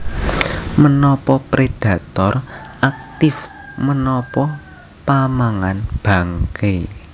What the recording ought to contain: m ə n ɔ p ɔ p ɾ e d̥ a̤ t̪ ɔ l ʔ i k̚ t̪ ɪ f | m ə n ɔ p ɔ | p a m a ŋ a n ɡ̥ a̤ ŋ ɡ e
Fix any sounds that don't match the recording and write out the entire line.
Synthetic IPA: m ə n ɔ p ɔ p ɾ e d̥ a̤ t̪ ɔ r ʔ a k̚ t̪ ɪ f | m ə n ɔ p ɔ | p a m a ŋ a n b̥ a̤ ŋ k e